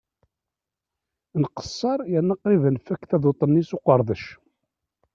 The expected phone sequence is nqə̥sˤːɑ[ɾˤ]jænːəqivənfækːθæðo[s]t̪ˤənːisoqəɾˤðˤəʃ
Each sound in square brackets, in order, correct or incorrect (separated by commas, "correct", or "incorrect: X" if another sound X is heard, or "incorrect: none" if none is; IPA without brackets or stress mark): correct, incorrect: none